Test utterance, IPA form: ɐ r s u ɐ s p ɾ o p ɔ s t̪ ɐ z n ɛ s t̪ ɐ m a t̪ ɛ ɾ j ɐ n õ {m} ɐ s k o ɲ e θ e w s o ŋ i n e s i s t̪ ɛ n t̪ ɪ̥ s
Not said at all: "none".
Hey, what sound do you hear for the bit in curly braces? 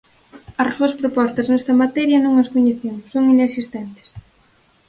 ŋ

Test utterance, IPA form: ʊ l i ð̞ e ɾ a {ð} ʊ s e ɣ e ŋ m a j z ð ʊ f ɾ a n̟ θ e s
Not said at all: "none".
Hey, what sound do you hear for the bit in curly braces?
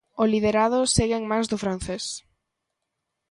ð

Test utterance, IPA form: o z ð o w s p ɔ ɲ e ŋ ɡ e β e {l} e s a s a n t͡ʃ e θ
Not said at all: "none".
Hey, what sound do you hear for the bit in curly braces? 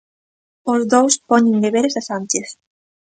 ɾ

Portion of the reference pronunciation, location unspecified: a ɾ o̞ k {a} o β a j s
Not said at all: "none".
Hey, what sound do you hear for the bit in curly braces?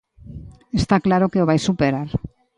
e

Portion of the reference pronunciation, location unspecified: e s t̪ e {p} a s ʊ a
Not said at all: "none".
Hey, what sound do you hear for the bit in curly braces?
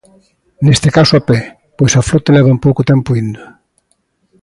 k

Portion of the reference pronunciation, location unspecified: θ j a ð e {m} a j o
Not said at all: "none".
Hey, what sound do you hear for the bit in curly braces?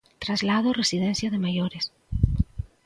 m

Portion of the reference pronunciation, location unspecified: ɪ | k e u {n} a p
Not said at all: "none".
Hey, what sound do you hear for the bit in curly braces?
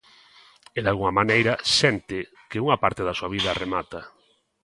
ŋ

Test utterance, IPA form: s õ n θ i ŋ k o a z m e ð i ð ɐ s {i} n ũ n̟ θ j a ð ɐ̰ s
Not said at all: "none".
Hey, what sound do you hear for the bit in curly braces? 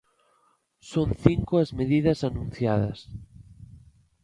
a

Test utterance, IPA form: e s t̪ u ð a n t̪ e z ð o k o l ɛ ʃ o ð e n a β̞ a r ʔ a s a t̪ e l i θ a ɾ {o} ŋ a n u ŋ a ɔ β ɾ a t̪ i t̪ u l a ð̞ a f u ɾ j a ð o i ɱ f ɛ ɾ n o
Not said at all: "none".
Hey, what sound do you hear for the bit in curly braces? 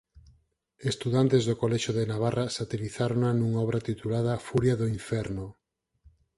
o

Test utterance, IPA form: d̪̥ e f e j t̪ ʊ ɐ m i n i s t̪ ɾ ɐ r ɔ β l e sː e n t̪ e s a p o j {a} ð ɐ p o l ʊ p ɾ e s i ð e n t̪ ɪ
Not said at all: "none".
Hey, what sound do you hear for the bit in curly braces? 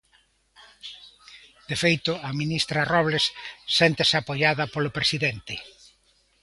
a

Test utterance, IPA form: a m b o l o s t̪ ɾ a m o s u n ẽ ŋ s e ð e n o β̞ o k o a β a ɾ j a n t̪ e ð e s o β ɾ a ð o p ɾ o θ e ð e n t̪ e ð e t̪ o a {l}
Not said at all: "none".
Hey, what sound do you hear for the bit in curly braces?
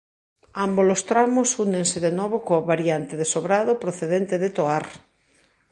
ɾ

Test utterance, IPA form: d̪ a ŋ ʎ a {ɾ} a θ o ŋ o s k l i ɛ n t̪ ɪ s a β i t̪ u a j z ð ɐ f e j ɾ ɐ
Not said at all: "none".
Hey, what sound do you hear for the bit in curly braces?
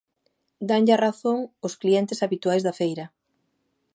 r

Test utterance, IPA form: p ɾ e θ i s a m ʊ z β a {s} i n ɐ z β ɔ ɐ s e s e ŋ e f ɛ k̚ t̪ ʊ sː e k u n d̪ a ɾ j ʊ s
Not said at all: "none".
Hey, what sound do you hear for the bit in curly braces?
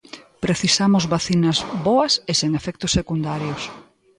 θ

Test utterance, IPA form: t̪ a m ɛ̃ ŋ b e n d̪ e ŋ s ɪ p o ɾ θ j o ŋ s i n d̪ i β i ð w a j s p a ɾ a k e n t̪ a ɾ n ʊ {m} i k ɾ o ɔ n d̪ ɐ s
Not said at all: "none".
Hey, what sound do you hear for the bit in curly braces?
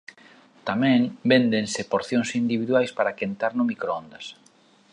m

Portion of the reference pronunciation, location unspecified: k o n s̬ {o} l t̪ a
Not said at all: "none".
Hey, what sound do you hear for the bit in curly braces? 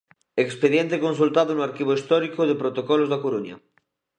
u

